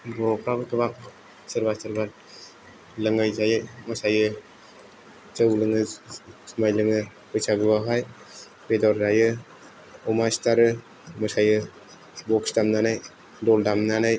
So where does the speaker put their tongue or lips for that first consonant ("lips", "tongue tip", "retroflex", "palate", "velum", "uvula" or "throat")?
lips